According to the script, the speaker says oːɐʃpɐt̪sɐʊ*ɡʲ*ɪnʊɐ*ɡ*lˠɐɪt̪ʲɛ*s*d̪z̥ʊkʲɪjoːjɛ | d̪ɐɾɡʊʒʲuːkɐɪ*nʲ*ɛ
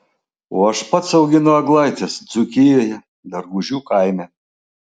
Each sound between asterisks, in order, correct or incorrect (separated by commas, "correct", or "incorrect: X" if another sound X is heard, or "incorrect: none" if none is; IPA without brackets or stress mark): correct, correct, correct, incorrect: mʲ